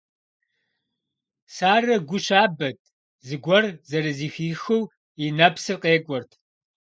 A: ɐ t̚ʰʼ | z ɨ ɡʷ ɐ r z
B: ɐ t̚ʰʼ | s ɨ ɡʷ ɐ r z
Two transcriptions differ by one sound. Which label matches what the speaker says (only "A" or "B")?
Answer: A